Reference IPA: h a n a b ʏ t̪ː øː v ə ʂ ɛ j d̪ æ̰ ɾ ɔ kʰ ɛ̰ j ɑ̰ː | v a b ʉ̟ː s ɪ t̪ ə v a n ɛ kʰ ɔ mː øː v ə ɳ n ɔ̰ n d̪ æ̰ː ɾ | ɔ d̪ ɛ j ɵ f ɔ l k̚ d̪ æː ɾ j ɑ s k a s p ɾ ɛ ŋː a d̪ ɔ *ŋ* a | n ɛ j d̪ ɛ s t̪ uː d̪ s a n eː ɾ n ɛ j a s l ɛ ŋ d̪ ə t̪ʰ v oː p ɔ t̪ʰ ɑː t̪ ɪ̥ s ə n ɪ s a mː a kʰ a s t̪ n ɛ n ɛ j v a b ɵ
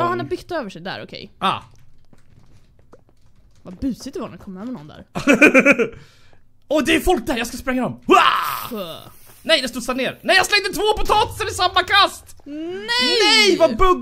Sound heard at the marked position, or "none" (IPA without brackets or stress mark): m